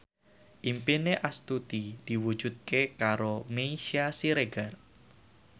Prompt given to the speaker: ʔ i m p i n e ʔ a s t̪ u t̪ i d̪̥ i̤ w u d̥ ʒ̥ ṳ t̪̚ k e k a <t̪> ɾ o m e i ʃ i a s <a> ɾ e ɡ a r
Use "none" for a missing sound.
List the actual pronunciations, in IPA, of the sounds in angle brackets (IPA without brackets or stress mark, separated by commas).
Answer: none, i